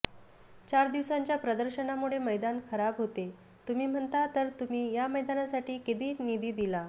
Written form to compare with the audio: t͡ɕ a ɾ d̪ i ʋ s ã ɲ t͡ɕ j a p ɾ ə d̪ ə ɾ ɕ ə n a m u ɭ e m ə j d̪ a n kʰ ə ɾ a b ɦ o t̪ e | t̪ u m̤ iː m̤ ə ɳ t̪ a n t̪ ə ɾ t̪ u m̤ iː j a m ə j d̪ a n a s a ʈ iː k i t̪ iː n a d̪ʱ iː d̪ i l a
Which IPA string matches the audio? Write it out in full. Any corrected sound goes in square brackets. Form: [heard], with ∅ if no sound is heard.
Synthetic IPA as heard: t͡ɕ a ɾ d̪ i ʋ s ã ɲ t͡ɕ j a p ɾ ə d̪ ə ɾ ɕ ə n a m u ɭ e m ə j d̪ a n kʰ ə ɾ a b ɦ o t̪ e | t̪ u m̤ iː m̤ ə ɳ t̪ a [∅] t̪ ə ɾ t̪ u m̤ iː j a m ə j d̪ a n a s a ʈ iː k i t̪ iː n [i] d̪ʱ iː d̪ i l a